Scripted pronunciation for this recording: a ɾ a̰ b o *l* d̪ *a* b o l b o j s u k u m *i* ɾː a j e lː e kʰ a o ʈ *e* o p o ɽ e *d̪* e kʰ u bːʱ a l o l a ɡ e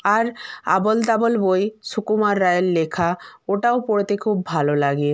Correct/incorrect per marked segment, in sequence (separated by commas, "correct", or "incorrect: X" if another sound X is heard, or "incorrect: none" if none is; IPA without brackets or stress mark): correct, correct, incorrect: a, incorrect: a, incorrect: t̪